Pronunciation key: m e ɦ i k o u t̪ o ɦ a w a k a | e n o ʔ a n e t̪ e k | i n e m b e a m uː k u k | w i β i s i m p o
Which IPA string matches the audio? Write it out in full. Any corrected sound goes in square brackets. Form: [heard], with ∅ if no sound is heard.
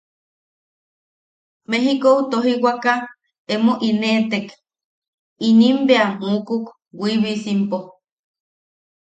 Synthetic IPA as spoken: m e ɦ i k o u t̪ o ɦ [i] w a k a | e [m] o ʔ [i] n e t̪ e k | i n [i] m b e a m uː k u k | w i β i s i m p o